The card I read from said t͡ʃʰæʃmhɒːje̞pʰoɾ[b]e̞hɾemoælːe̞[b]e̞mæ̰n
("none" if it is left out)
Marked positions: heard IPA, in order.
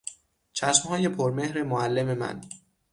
m, m

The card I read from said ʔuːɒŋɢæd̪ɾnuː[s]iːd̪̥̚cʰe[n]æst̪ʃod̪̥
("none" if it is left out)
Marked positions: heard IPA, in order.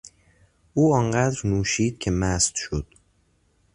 ʃ, m

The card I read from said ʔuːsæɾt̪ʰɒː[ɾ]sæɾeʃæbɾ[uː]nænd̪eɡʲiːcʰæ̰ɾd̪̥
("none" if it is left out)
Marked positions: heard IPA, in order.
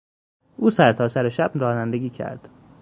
none, ɒː

